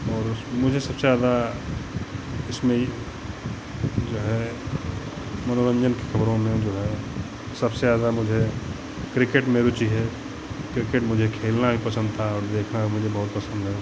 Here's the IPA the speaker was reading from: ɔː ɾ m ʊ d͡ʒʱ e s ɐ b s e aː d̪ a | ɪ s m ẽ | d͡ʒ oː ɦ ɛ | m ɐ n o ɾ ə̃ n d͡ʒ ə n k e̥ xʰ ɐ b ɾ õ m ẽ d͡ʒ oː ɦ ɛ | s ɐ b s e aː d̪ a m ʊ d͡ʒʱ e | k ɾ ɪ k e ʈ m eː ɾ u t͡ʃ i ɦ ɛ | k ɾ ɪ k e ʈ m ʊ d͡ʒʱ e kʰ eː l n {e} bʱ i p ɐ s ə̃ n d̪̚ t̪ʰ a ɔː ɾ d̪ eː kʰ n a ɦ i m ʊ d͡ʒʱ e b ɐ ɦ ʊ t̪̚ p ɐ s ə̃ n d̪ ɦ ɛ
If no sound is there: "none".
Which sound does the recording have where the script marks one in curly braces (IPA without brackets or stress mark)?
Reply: a